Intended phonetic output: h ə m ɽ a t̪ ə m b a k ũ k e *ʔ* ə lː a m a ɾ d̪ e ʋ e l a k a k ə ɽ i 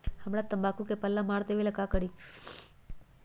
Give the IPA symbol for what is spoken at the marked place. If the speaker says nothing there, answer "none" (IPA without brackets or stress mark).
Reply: p